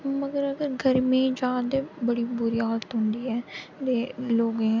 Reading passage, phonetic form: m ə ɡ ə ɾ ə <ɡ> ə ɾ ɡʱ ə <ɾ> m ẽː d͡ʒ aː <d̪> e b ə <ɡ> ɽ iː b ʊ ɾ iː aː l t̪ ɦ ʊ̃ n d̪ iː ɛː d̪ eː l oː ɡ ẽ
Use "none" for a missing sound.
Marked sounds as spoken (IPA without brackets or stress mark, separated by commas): ɡ, ɾ, d̪, none